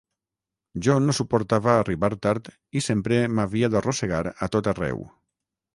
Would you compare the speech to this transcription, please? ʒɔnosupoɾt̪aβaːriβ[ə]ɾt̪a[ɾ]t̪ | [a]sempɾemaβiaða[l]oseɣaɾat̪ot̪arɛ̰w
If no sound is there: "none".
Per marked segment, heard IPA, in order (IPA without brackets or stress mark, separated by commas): a, ɾ, i, r